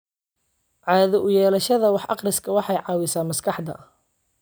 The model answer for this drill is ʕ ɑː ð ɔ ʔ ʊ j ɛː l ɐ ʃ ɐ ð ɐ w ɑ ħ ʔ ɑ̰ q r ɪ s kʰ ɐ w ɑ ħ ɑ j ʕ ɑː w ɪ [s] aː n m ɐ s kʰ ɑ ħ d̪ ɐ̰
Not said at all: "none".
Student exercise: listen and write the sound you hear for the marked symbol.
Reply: s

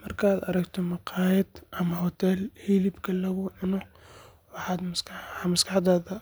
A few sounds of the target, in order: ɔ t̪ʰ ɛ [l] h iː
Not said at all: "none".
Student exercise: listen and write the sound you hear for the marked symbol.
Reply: l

